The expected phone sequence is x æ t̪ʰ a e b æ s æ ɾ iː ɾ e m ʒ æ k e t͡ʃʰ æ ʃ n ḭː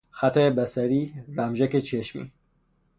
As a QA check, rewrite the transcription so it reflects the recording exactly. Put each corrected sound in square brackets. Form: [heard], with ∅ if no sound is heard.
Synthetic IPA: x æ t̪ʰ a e b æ s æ ɾ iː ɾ [æ] m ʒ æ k e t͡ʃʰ [e] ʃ [m] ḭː